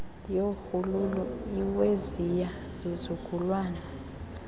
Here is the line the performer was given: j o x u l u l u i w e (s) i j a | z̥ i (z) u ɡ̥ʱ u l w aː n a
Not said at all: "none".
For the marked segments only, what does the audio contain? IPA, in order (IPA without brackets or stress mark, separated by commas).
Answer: z, z